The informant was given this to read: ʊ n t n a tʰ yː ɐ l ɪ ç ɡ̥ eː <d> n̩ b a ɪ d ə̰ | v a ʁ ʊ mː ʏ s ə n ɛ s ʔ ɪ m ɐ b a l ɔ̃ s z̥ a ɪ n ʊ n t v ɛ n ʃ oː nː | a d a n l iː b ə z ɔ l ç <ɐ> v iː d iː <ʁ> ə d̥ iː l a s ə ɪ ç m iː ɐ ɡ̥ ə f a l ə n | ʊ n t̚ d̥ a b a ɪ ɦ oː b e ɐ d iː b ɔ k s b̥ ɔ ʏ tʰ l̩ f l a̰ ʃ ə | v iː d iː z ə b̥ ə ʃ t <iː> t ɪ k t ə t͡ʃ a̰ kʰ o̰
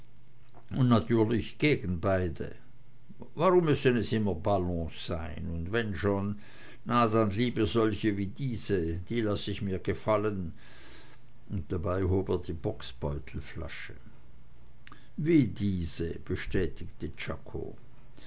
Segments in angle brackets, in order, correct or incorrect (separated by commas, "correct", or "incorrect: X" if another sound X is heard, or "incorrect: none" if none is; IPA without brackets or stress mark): incorrect: ɡ, incorrect: ə, incorrect: z, incorrect: ɛː